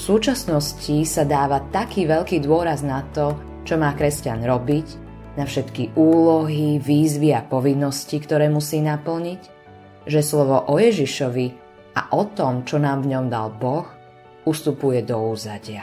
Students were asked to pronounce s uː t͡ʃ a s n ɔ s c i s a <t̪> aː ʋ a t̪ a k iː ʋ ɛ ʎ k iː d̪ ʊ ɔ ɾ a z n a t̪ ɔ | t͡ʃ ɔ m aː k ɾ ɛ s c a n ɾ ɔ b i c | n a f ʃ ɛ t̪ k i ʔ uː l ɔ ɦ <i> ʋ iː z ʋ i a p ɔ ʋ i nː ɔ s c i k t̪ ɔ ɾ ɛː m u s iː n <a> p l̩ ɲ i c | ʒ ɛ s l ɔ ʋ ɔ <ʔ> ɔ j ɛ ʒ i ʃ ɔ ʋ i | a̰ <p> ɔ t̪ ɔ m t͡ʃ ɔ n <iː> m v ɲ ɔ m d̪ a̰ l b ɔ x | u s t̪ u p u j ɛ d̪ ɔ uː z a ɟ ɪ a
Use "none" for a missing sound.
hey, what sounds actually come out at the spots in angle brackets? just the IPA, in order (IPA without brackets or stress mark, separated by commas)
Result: d̪, i, a, ʔ, ʔ, aː